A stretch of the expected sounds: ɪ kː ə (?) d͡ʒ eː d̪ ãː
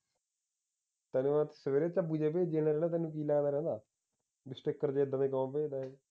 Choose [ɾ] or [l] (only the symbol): ɾ